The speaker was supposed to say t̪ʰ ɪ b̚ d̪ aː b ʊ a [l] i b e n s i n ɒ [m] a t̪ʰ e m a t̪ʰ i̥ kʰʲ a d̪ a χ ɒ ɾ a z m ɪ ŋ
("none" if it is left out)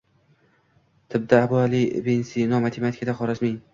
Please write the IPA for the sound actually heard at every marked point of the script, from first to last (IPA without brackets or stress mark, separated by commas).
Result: l, m